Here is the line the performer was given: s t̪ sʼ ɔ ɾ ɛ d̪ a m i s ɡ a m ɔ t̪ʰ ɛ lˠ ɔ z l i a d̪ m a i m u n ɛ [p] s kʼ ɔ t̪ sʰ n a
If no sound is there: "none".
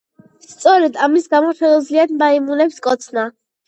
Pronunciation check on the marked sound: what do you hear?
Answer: p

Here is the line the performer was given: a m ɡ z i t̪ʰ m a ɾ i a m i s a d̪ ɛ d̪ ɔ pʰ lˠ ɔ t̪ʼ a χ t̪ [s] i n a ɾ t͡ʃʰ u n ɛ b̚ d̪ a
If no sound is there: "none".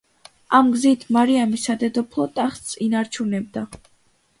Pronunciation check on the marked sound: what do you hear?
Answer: s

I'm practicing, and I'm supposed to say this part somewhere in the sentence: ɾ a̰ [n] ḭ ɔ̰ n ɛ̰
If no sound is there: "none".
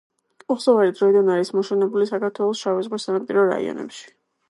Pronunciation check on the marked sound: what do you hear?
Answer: none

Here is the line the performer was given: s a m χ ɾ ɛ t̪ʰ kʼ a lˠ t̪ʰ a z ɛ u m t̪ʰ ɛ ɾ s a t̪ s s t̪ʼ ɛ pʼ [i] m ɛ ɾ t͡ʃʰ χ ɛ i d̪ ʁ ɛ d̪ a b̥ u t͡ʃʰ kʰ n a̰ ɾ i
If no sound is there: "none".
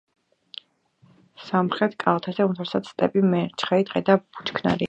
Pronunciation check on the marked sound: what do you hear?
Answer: i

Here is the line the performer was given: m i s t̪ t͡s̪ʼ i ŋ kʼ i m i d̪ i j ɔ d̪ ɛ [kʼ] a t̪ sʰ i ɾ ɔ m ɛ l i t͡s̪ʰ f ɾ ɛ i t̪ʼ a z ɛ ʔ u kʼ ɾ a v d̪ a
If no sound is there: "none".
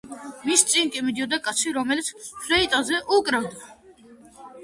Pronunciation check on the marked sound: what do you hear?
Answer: kʼ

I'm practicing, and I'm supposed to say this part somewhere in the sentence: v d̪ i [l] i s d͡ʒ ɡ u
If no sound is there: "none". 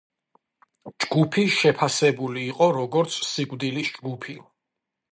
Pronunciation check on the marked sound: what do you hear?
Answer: l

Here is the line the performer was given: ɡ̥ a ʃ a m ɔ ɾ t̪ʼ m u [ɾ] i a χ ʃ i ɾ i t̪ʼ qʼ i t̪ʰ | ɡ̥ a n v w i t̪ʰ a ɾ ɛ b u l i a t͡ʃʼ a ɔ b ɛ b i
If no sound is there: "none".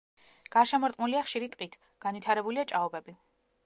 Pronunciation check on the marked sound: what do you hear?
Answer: l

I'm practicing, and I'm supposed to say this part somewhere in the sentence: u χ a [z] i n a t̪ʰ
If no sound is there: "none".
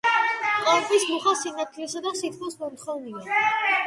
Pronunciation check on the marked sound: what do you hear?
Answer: s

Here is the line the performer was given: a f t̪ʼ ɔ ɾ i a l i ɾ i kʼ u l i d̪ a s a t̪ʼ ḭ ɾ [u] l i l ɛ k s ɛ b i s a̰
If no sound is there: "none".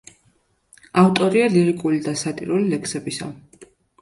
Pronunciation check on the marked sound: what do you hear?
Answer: u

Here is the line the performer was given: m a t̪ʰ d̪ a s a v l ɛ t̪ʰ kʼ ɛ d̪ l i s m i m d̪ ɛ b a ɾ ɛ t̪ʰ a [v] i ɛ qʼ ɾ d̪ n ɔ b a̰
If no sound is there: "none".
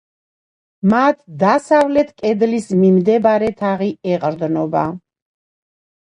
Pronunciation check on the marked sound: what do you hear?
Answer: ʁ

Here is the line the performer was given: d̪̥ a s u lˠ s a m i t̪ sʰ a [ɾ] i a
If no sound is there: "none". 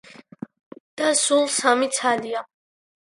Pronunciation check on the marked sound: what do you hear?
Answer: l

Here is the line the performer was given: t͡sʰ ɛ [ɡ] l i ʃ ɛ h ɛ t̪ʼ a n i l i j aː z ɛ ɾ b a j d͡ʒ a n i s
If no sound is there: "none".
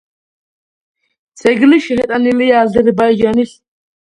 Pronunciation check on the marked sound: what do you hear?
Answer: ɡ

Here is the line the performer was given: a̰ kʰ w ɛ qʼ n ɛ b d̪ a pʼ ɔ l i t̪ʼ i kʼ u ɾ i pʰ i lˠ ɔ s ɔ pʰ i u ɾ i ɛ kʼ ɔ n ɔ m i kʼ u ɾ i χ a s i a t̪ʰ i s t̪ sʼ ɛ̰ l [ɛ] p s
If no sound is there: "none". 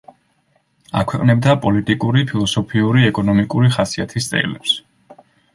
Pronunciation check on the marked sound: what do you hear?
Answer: ɛ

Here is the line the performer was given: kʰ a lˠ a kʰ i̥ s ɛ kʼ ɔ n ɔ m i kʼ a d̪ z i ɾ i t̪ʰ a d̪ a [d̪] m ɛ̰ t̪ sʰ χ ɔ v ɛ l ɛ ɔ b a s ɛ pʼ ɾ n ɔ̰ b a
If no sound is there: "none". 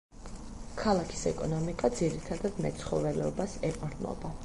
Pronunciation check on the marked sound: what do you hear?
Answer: d̪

